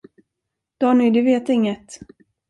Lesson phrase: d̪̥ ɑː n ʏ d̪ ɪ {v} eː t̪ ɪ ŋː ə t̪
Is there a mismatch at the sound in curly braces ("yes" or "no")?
no